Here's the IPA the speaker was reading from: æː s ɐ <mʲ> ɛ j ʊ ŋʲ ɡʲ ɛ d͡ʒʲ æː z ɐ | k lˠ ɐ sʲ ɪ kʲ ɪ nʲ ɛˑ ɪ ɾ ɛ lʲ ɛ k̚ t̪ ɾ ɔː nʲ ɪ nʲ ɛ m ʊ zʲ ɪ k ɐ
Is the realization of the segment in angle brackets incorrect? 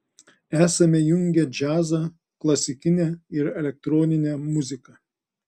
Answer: no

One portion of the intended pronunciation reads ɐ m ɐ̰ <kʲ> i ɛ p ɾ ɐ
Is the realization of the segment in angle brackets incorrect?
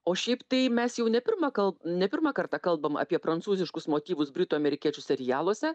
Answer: yes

